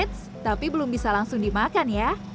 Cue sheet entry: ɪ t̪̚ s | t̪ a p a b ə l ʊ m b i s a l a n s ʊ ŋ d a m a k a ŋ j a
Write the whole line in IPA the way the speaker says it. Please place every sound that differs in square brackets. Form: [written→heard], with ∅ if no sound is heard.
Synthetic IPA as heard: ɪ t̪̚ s | t̪ a p [a→i] b ə l ʊ m b i s a l a [n→ŋ] s ʊ ŋ d [a→i] m a k a [ŋ→n] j a

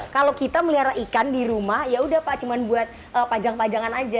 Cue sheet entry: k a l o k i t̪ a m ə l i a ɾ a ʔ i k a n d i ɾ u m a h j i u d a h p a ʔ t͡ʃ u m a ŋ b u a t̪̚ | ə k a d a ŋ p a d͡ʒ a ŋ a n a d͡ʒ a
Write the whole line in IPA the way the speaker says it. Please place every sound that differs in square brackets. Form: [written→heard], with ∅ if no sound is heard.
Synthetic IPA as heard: k a l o k i t̪ a m ə l i a ɾ a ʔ i k a n d i ɾ u m a h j [i→a] u d a h p a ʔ t͡ʃ u m a [ŋ→n] b u a t̪̚ | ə [k→p] a [d→d͡ʒ] a ŋ p a d͡ʒ a ŋ a n a d͡ʒ a

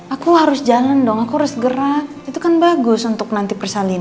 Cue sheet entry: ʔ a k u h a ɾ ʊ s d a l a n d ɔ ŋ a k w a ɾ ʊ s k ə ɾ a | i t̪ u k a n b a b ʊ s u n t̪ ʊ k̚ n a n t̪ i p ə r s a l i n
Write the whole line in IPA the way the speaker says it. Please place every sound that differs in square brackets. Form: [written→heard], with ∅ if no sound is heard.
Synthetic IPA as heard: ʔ a k u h a ɾ ʊ s [d→d͡ʒ] a l a n d ɔ ŋ a k [w→u] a ɾ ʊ s [k→ɡ] ə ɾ a | i t̪ u k a n b a [b→ɡ] ʊ s u n t̪ ʊ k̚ n a n t̪ i p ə r s a l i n

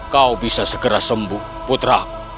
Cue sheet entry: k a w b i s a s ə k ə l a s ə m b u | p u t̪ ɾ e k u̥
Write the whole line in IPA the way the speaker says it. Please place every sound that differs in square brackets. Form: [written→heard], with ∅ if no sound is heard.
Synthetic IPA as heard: k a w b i s a s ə k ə [l→ɾ] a s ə m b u | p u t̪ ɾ [e→a] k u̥

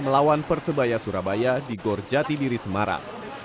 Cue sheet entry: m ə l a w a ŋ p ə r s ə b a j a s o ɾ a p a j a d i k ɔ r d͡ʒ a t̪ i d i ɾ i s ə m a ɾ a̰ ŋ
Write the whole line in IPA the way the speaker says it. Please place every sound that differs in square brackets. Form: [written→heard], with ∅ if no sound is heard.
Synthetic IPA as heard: m ə l a w a [ŋ→n] p ə r s ə b a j a s [o→u] ɾ a [p→b] a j a d i [k→ɡ] ɔ r d͡ʒ a t̪ i d i ɾ i s ə m a ɾ a̰ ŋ

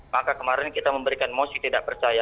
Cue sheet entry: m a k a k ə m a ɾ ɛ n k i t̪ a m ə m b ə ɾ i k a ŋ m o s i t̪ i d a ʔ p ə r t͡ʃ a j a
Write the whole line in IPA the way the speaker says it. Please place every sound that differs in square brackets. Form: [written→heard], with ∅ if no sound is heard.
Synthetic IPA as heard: m a k a k ə m a ɾ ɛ n k i t̪ a m ə m b ə ɾ i k a [ŋ→n] m o s i t̪ i d a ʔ p ə r t͡ʃ a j a

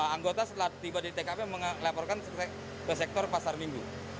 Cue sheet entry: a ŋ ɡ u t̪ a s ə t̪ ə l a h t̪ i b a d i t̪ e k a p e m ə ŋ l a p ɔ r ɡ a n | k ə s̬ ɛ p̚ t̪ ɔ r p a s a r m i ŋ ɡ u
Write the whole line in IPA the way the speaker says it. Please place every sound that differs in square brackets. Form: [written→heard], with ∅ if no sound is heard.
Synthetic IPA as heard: a ŋ ɡ [u→o] t̪ a s ə t̪ ə l a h t̪ i b a d i t̪ e k a p e m ə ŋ l a p ɔ r [ɡ→k] a n | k ə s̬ ɛ [p̚→k̚] t̪ ɔ r p a s a r m i ŋ ɡ u

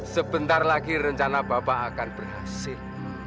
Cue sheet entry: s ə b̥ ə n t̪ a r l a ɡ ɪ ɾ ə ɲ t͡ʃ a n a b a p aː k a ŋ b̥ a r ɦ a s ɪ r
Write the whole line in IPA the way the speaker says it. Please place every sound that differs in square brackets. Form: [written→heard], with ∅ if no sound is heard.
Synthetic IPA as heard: s ə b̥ ə n t̪ a r l a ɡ [ɪ→i] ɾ ə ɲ t͡ʃ a n a b a p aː k a [ŋ→n] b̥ [a→ə] r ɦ a s ɪ [r→l]

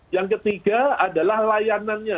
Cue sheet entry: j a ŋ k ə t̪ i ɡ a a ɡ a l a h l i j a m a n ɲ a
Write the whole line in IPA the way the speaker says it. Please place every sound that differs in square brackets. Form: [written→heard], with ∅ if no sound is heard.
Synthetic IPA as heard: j a ŋ k ə t̪ i ɡ a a [ɡ→d] a l a h l [i→a] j a [m→n] a n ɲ a

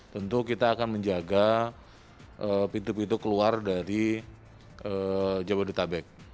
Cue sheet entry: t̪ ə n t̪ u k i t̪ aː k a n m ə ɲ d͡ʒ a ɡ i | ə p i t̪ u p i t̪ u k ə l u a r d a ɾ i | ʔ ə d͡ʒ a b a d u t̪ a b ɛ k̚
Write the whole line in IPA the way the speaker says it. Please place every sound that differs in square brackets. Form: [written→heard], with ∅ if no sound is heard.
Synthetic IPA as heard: t̪ ə n t̪ u k i t̪ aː k a n m ə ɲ d͡ʒ a ɡ [i→a] | ə p i t̪ u p i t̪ u k ə l u a r d a ɾ i | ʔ ə d͡ʒ a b a d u t̪ a b ɛ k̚

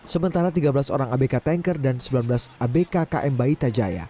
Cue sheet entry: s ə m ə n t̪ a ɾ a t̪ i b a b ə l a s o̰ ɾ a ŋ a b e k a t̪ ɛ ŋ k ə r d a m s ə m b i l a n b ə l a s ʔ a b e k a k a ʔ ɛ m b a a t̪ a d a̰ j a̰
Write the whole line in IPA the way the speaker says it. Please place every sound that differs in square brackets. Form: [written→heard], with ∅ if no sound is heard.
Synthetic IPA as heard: s ə m ə n t̪ a ɾ a t̪ i [b→ɡ] a b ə l a s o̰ ɾ a ŋ a b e k a t̪ ɛ ŋ k ə r d a [m→n] s ə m b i l a n b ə l a s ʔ a b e k a k a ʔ ɛ m b a [a→i] t̪ a [d→d͡ʒ] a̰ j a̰

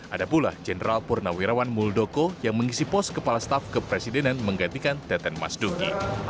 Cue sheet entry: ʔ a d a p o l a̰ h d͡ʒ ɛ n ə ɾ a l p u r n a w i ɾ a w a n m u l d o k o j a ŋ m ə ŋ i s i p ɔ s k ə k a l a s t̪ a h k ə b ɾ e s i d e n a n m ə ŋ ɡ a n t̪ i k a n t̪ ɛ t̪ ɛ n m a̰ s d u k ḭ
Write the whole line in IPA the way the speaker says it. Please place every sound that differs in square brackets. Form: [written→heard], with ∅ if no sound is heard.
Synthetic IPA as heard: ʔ a d a p [o→u] l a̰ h d͡ʒ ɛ n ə ɾ a l p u r n a w i ɾ a w a n m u l d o k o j a ŋ m ə ŋ i s i p ɔ s k ə [k→p] a l a s t̪ a [h→f] k ə [b→p] ɾ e s i d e n a n m ə ŋ ɡ a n t̪ i k a n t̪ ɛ t̪ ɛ n m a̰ s d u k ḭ

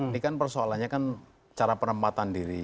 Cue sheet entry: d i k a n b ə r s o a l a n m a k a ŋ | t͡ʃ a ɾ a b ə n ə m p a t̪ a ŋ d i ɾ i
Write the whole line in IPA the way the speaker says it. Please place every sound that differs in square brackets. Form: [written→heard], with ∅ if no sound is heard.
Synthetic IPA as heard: [d→n] i k a n [b→p] ə r s o a l a n [m→ɲ] a k a [ŋ→n] | t͡ʃ a ɾ a [b→p] ə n ə m p a t̪ a [ŋ→n] d i ɾ i

